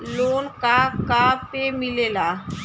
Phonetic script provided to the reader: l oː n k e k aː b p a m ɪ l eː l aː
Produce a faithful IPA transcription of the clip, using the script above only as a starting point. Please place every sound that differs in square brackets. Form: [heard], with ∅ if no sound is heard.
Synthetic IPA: l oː n k [a] k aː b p [e] m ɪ l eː l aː

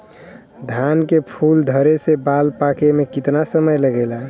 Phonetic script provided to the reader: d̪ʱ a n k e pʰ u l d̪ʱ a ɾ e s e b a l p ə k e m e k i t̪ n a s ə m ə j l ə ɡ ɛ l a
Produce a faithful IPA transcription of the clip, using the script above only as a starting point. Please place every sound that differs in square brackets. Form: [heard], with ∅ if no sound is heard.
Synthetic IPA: d̪ʱ a n k e pʰ u l d̪ʱ [ə] ɾ e s e b a l p [a] k e m e k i t̪ n a s ə m ə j l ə ɡ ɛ l a

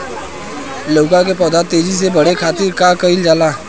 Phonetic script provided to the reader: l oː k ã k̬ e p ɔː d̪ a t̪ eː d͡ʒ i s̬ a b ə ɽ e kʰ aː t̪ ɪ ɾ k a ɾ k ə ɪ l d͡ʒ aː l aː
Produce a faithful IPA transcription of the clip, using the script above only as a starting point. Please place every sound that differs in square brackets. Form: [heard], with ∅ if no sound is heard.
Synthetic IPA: l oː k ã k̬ e p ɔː d̪ a t̪ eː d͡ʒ i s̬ [e] b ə ɽ e kʰ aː t̪ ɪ ɾ k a [∅] k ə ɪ l d͡ʒ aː l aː

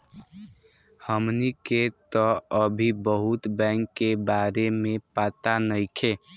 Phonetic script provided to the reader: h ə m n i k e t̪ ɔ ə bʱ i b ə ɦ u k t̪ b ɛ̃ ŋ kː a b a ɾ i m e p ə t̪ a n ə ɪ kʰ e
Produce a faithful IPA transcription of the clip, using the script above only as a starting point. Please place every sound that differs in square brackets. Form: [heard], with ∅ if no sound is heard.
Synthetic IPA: h ə m n i k e t̪ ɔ ə bʱ i b ə ɦ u [∅] t̪ b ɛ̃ ŋ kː [e] b a ɾ [e] m e p [a] t̪ a n ə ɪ kʰ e

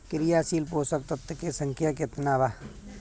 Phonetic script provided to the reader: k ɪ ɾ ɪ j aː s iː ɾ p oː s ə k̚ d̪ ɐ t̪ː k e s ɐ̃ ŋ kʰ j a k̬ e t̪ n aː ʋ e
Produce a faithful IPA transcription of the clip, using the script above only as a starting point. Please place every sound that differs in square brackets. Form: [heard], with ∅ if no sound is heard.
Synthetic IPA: k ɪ ɾ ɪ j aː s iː [l] p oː s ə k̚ [t̪] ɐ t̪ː k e s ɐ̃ ŋ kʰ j a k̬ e t̪ n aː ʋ [a]

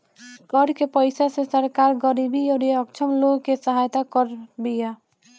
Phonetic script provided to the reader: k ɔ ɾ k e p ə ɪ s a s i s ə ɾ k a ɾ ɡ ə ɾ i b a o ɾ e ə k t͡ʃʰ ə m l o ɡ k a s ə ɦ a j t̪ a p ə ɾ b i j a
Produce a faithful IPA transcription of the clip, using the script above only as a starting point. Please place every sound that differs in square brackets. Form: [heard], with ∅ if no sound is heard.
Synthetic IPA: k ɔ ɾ k e p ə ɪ s a s [e] s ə ɾ k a ɾ ɡ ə ɾ i b [i] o ɾ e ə k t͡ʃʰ ə m l o ɡ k [e] s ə ɦ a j t̪ a [k] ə ɾ b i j a

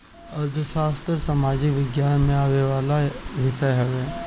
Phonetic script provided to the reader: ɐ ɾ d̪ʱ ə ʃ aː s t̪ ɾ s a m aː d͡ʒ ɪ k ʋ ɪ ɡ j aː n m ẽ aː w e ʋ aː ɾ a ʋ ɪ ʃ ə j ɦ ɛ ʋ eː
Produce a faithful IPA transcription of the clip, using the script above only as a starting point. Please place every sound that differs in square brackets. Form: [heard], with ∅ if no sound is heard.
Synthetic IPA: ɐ ɾ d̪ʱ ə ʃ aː s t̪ ɾ s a m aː d͡ʒ ɪ k ʋ ɪ ɡ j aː n m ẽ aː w e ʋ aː [l] a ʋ ɪ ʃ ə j ɦ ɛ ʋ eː

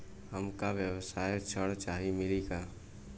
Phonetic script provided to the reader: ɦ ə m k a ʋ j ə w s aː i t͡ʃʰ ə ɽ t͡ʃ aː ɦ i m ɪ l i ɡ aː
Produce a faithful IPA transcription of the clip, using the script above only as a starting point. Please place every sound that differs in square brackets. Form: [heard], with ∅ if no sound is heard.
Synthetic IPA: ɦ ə m k a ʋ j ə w s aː [j] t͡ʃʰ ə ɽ t͡ʃ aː ɦ i m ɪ l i ɡ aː

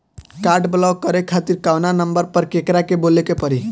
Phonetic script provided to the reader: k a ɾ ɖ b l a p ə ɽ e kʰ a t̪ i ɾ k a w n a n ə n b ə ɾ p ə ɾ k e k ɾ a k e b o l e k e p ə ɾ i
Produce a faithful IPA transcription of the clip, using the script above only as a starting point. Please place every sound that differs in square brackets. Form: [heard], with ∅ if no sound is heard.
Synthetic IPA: k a ɾ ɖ b l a [k] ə [ɾ] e kʰ a t̪ i ɾ k a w n a n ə [m] b ə ɾ p ə ɾ k e k ɾ a k e b o l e k e p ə ɾ i

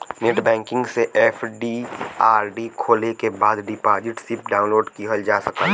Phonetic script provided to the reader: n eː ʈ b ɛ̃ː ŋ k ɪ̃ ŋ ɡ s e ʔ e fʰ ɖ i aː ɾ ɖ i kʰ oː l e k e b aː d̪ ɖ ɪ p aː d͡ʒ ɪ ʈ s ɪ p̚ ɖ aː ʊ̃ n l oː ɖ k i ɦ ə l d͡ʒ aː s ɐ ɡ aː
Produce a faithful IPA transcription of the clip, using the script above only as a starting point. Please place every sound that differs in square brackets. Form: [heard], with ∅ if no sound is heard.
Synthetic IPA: n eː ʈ b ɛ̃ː ŋ k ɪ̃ ŋ ɡ s e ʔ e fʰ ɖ i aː ɾ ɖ i kʰ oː l e k e b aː d̪ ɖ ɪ p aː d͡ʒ ɪ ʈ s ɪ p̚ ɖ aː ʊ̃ n l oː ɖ k i ɦ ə l d͡ʒ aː s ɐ [k] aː

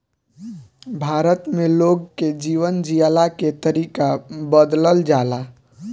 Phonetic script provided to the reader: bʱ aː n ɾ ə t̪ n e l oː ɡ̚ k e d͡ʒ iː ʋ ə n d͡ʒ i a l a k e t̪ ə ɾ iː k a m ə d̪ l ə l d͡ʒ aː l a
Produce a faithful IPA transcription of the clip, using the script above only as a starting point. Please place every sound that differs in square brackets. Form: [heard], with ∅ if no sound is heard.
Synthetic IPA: bʱ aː [∅] ɾ ə t̪ [m] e l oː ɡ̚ k e d͡ʒ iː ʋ ə n d͡ʒ i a l a k e t̪ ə ɾ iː k a [b] ə d̪ l ə l d͡ʒ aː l a

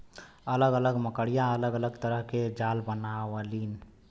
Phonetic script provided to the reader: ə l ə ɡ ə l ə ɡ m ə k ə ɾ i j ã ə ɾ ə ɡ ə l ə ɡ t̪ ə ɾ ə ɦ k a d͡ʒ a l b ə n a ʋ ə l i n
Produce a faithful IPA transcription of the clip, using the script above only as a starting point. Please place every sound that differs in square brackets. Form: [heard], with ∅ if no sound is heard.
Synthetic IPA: ə l ə ɡ ə l ə ɡ m ə k ə [ɽ] i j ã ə [l] ə ɡ ə l ə ɡ t̪ ə ɾ ə ɦ k [e] d͡ʒ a l b ə n a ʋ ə l i n

